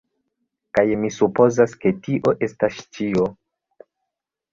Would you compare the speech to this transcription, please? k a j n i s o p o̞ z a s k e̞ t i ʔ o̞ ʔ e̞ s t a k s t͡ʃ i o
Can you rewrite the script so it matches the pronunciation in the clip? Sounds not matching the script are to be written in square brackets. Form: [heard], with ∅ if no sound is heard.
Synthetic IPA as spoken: k a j [m] i s [u] p o̞ z a s k e̞ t i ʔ o̞ ʔ e̞ s t a [∅] s t͡ʃ i o